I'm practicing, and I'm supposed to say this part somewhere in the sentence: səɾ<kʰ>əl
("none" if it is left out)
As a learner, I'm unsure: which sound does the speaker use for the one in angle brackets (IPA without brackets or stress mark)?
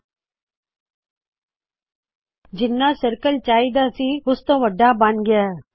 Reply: k